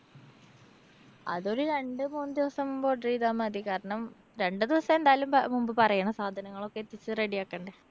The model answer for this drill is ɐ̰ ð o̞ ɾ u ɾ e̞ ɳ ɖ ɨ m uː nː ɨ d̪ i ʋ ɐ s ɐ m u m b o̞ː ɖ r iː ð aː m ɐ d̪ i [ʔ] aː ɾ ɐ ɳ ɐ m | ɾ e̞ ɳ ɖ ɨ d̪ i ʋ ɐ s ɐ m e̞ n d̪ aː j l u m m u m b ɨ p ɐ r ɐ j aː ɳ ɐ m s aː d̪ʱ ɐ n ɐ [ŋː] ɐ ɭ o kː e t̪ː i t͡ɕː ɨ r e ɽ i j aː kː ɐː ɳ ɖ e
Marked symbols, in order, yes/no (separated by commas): no, yes